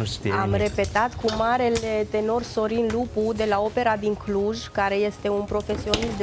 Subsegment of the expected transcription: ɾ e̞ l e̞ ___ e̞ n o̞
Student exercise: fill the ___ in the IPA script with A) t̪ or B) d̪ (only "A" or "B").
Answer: A